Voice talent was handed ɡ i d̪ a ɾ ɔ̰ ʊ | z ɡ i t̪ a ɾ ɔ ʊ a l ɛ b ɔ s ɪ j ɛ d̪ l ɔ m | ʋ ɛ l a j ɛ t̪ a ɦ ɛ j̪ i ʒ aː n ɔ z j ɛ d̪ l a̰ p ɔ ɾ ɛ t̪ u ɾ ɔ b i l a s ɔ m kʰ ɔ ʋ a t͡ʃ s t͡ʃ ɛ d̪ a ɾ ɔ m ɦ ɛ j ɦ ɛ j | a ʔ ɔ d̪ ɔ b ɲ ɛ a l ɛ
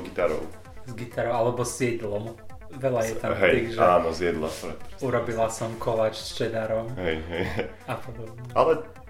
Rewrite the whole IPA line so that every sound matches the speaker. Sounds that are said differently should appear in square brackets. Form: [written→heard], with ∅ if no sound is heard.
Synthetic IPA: ɡ i [d̪→t̪] a ɾ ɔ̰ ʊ | z ɡ i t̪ a ɾ ɔ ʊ a l ɛ b ɔ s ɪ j ɛ d̪ l ɔ m | ʋ ɛ l a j ɛ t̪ a ɦ ɛ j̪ i ʒ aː n ɔ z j ɛ d̪ l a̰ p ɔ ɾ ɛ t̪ u ɾ ɔ b i l a s ɔ m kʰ ɔ ʋ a t͡ʃ s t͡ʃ ɛ d̪ a ɾ ɔ m ɦ ɛ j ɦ ɛ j | a [ʔ→p] ɔ d̪ ɔ b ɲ ɛ a l ɛ